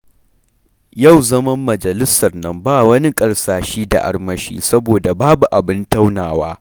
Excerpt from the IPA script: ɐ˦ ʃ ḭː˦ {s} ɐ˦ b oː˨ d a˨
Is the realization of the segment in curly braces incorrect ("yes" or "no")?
no